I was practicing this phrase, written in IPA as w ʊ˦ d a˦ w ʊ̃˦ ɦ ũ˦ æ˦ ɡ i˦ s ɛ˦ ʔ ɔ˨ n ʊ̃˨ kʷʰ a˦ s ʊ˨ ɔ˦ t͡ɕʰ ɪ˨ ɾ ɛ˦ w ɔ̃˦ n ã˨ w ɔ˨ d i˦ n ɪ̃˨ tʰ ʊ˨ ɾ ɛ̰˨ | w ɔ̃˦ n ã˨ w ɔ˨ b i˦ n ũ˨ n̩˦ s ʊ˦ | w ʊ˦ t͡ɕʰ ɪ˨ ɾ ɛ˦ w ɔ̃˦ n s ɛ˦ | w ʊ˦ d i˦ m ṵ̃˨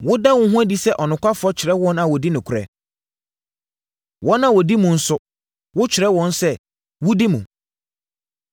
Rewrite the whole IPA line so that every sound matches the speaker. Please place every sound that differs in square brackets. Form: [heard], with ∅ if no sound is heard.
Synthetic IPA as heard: w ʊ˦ d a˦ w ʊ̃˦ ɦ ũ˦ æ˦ [d] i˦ s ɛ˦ ʔ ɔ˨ n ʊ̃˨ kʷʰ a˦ [f] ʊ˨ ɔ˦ t͡ɕʰ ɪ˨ ɾ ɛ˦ w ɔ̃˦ n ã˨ w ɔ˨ d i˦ n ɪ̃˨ [kʰ] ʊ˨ ɾ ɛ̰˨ | w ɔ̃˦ n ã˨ w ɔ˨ [d] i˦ [m] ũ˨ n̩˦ s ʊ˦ | w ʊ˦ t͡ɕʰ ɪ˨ ɾ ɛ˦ w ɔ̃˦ n s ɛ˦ | w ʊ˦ d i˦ m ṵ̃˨